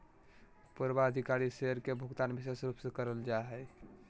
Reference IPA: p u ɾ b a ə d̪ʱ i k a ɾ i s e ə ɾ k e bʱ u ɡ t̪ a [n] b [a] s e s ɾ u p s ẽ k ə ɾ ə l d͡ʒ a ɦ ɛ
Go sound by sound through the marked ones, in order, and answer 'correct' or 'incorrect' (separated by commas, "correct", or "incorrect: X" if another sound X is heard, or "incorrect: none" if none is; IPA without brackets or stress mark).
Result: correct, incorrect: i